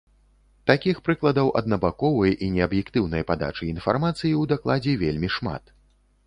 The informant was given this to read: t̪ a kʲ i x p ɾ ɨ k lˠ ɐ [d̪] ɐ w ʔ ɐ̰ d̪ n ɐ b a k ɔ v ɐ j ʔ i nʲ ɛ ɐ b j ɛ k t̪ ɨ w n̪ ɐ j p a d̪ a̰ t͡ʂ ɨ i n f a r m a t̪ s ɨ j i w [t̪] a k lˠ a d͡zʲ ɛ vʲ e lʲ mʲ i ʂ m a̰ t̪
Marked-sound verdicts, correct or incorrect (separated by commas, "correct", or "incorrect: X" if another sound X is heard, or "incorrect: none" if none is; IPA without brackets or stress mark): correct, incorrect: d̪